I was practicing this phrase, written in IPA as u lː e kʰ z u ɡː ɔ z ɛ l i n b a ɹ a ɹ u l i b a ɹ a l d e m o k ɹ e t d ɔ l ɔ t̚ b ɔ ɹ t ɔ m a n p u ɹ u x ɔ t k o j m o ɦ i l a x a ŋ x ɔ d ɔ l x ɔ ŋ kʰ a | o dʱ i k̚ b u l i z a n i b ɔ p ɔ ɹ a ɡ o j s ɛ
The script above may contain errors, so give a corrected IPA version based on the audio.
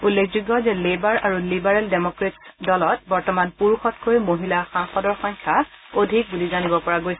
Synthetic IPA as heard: u lː e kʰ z u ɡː ɔ z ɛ l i b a ɹ a ɹ u l i b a ɹ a l d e m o k ɹ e t d ɔ l ɔ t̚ b ɔ ɹ t ɔ m a n p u ɹ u x ɔ t k o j m o ɦ i l a x a ŋ x ɔ d ɔ ɹ x ɔ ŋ kʰ a | o dʱ i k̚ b u l i z a n i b ɔ p ɔ ɹ a ɡ o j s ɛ